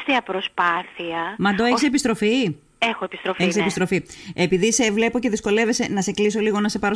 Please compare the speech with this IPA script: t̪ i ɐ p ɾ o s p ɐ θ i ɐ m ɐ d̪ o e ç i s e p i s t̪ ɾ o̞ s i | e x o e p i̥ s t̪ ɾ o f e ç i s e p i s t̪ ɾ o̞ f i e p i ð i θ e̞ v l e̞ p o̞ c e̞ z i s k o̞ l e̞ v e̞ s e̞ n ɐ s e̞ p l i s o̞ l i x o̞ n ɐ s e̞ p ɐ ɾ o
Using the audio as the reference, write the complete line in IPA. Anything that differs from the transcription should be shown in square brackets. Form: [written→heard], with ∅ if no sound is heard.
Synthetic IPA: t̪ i ɐ p ɾ o s p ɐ θ i ɐ m ɐ d̪ o e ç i s e p i s t̪ ɾ o̞ [s→f] i | e x o e p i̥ s t̪ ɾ o f e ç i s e p i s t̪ ɾ o̞ f i e p i ð i [θ→s] e̞ v l e̞ p o̞ c e̞ [z→ð] i s k o̞ l e̞ v e̞ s e̞ n ɐ s e̞ [p→k] l i s o̞ l i [x→ɣ] o̞ n ɐ s e̞ p ɐ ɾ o